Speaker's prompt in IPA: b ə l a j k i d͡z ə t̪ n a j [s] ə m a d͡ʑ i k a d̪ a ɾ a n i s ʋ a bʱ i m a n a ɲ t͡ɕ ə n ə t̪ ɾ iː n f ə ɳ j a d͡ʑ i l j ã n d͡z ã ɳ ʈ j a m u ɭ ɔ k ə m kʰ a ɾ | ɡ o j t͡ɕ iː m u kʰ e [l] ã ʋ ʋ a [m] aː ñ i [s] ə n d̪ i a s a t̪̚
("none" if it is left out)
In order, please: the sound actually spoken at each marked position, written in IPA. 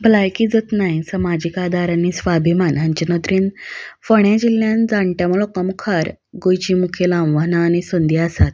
s, l, n, s

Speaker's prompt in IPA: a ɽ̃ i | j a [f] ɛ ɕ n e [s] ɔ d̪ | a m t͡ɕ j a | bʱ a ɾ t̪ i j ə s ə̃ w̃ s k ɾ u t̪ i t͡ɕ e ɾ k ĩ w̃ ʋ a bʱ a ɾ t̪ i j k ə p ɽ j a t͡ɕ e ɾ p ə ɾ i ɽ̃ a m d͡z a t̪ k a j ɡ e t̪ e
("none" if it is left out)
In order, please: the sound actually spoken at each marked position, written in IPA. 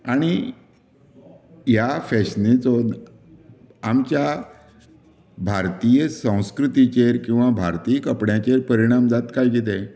f, t͡s

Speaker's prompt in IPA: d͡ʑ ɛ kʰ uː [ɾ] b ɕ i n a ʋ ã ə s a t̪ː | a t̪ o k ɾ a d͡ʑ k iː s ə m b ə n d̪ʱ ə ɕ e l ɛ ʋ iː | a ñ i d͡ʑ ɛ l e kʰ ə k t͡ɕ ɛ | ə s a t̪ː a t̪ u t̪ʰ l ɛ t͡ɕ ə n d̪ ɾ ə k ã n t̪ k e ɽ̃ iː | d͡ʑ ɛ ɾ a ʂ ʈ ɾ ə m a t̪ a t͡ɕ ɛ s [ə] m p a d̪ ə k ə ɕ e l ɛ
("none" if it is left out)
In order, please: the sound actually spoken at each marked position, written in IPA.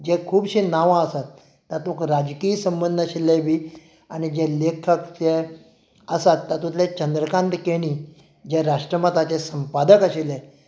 none, ə

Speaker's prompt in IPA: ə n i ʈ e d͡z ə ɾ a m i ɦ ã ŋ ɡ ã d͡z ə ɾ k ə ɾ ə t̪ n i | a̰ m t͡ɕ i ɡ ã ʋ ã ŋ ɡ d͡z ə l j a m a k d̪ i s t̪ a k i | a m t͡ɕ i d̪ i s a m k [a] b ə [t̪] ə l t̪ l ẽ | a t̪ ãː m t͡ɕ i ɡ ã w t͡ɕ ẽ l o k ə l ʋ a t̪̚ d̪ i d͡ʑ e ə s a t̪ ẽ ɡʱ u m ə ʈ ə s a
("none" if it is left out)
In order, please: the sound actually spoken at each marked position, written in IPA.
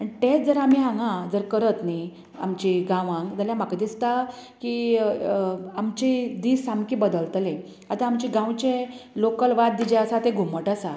i, d̪

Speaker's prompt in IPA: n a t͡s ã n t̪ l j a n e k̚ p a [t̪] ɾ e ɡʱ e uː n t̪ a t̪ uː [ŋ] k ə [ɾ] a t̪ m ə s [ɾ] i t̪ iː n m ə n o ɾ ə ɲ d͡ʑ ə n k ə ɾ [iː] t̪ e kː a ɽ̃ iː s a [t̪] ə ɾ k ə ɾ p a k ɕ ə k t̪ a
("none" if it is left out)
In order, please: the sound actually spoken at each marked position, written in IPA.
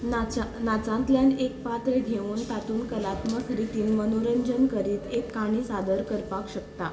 t̪, n, l, ɾ, iː, d̪

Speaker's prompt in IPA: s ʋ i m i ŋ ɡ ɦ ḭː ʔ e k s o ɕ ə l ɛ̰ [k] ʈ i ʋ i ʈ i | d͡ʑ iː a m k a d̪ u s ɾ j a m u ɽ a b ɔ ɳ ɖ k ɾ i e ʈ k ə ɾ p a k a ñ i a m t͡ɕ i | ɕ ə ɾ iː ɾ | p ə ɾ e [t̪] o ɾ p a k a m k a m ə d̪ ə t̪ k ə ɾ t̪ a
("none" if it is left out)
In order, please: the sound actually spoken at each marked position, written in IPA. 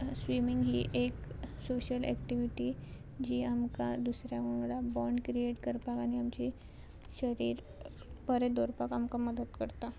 k, d̪

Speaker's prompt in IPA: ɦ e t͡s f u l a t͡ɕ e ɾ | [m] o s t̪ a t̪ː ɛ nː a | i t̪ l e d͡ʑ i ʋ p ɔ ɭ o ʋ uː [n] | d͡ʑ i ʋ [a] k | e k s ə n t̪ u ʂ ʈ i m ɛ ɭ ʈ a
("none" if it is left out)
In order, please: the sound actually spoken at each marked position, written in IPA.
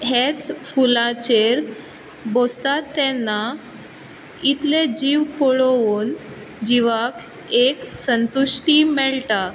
b, n, a

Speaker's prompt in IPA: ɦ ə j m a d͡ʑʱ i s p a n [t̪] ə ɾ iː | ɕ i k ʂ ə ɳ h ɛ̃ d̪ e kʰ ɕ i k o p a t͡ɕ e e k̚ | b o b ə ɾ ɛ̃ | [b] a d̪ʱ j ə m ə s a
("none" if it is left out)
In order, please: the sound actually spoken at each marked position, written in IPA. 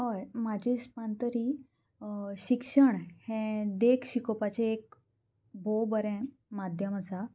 t̪, m

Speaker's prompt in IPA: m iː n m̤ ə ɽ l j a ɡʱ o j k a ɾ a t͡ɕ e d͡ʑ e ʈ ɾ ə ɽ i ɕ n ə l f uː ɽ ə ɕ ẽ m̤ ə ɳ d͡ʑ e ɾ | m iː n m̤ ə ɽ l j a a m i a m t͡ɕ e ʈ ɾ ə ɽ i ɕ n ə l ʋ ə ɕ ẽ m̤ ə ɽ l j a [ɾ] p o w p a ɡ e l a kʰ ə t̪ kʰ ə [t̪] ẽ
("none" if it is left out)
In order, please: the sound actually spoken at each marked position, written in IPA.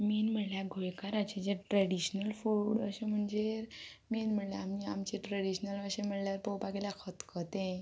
ɾ, t̪

